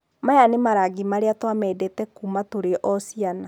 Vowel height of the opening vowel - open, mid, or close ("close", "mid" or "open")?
open